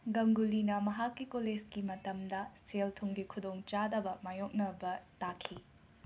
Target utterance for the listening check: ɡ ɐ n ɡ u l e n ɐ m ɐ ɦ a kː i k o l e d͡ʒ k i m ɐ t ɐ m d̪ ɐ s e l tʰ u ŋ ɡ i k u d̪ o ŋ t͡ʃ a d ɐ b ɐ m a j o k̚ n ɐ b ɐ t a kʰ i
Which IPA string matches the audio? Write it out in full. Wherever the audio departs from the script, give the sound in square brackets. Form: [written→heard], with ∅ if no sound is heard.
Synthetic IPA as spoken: ɡ ɐ [n→ŋ] ɡ u l [e→i] n ɐ m ɐ ɦ a kː i k o l e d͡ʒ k i m ɐ t ɐ m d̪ ɐ s e l tʰ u ŋ ɡ i [k→kʰ] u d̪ o ŋ t͡ʃ a d ɐ b ɐ m a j o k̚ n ɐ b ɐ t a kʰ i